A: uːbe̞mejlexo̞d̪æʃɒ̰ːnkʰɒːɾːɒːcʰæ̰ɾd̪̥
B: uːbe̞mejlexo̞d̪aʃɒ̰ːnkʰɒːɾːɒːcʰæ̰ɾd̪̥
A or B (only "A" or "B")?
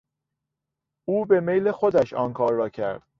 A